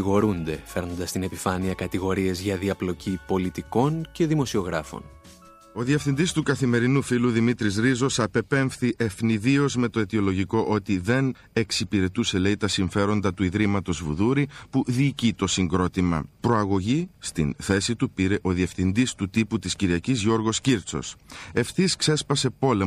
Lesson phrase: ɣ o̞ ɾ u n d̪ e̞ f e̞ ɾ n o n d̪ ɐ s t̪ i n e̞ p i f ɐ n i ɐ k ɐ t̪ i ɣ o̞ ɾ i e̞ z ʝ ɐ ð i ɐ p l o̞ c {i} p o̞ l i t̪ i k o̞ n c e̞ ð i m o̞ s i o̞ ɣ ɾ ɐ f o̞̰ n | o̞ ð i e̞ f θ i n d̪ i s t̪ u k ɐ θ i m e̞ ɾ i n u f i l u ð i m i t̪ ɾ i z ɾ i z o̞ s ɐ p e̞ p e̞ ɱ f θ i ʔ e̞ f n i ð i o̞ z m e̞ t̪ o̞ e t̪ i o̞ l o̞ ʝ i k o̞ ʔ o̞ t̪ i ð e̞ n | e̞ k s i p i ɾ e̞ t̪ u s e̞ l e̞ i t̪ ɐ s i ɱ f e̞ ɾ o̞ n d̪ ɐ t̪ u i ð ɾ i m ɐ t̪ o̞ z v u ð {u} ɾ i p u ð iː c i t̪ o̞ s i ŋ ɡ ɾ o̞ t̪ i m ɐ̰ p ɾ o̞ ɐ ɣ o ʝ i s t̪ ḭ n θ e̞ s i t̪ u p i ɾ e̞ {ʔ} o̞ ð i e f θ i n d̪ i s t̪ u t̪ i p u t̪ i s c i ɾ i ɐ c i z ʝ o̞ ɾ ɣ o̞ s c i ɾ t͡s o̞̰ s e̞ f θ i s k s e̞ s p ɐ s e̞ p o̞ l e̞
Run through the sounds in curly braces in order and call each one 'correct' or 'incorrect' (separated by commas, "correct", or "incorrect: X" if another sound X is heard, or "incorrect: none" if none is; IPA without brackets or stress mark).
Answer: correct, correct, correct